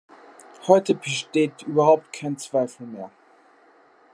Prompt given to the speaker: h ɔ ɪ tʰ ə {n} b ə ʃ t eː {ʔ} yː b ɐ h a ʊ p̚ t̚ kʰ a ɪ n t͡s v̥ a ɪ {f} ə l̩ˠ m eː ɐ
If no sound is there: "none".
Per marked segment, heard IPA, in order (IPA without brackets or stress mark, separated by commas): none, t, f